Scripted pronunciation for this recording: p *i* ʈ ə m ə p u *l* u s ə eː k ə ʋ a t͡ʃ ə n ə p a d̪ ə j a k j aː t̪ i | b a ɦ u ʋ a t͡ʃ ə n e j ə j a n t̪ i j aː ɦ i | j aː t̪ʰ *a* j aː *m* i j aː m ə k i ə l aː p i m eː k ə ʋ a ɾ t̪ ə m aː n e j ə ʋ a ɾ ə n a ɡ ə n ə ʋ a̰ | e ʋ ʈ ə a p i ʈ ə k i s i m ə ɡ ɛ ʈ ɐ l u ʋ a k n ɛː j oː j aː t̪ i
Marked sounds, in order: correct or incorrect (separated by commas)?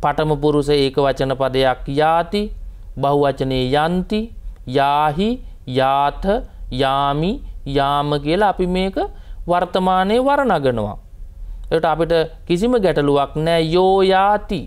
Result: incorrect, incorrect, incorrect, correct